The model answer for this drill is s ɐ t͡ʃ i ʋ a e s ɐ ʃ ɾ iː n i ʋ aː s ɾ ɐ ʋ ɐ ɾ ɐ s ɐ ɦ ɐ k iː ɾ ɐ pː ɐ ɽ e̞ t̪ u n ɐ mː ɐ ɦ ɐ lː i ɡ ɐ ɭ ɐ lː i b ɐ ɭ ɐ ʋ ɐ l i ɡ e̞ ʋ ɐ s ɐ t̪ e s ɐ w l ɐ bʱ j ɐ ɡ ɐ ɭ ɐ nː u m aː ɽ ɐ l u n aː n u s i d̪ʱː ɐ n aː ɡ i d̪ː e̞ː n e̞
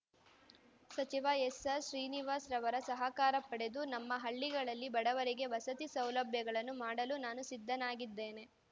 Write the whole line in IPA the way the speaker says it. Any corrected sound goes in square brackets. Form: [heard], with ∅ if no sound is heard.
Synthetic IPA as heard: s ɐ t͡ʃ i ʋ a e s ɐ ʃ ɾ iː n i ʋ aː s ɾ ɐ ʋ ɐ ɾ ɐ s ɐ ɦ ɐ k [aː] ɾ ɐ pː ɐ ɽ e̞ [d̪] u n ɐ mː ɐ ɦ ɐ [ɭː] i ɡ ɐ ɭ ɐ lː i b ɐ [ɽ] ɐ ʋ ɐ [ɾ] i ɡ e̞ ʋ ɐ s ɐ t̪ [i] s ɐ w l ɐ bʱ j ɐ ɡ ɐ ɭ ɐ nː u m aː ɽ ɐ l u n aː n u s i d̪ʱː ɐ n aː ɡ i d̪ː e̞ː n e̞